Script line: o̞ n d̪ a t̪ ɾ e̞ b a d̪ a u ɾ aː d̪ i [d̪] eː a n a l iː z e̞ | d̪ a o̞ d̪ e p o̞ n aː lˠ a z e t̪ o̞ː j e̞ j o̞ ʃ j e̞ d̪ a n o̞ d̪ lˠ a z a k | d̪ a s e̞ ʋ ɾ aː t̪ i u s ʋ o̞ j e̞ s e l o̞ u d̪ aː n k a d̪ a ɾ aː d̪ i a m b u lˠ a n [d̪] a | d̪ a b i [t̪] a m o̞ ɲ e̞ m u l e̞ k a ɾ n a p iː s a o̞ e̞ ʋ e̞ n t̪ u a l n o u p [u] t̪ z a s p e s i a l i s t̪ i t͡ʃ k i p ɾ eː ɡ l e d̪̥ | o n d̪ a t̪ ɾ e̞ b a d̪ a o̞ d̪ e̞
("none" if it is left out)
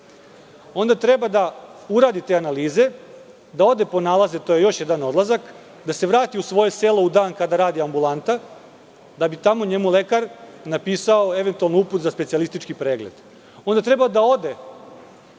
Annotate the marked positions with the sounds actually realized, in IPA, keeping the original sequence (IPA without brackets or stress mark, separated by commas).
t̪, t̪, t̪, u